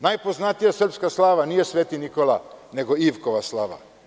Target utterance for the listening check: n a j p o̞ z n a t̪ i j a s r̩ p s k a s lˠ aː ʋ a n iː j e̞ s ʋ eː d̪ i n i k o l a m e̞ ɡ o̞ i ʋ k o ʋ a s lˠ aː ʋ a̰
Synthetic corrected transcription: n a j p o̞ z n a t̪ i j a s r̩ p s k a s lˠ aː ʋ a n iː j e̞ s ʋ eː t̪ i n i k o l a n e̞ ɡ o̞ i ʋ k o ʋ a s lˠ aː ʋ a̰